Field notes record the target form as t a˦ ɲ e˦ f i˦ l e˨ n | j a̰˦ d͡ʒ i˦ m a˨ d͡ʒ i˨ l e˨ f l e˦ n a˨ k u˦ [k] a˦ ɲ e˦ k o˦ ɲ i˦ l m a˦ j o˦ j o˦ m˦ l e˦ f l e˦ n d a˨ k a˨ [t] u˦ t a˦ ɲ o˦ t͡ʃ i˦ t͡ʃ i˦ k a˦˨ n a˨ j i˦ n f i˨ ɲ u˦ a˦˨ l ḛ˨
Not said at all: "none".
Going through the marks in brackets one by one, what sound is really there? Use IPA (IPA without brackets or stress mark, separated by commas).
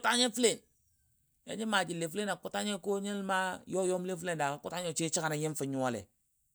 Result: t, k